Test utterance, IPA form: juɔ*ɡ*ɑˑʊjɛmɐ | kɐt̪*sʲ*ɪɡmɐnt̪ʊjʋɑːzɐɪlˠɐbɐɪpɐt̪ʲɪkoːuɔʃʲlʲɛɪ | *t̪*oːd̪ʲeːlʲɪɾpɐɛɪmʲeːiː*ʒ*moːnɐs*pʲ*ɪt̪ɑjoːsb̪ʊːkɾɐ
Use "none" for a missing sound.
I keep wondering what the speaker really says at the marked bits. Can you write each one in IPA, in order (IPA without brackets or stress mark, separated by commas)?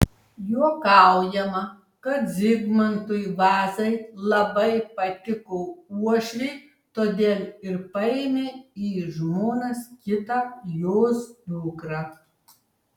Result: k, zʲ, t̪, ʒ, kʲ